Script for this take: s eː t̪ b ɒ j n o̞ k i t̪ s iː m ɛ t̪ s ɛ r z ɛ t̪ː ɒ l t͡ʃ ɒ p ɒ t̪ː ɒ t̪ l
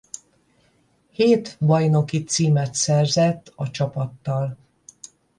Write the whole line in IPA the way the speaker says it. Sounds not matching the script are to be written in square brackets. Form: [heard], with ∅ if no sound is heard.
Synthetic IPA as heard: [h] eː t̪ b ɒ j n o̞ k i t̪ s iː m ɛ t̪ s ɛ r z ɛ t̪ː ɒ [∅] t͡ʃ ɒ p ɒ t̪ː ɒ [∅] l